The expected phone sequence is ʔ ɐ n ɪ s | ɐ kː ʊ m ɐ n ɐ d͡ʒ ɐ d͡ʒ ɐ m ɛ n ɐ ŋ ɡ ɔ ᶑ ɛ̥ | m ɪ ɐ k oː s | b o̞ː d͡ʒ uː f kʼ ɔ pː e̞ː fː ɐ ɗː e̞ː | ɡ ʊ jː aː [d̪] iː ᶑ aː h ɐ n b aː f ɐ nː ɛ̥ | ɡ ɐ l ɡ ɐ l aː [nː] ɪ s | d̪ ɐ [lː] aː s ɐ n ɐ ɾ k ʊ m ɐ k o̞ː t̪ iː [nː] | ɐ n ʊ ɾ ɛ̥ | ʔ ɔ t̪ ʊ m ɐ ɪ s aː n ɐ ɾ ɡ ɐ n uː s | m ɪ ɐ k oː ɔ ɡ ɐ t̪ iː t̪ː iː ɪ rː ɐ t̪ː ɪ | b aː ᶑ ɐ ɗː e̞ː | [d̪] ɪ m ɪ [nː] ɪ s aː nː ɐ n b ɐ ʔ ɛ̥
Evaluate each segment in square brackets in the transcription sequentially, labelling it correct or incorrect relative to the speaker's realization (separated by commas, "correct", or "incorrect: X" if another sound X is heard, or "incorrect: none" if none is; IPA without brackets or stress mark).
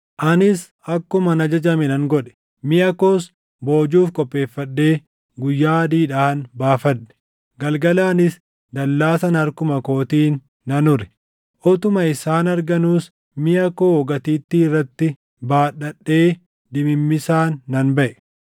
correct, incorrect: n, correct, correct, correct, incorrect: mː